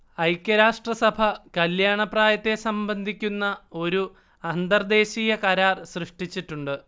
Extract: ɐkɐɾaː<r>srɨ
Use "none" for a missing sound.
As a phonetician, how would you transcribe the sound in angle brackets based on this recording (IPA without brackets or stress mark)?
r